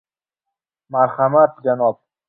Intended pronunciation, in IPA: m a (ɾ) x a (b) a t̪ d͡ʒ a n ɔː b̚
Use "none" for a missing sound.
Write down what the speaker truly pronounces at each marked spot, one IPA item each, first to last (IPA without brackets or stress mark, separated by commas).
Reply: ɾ, m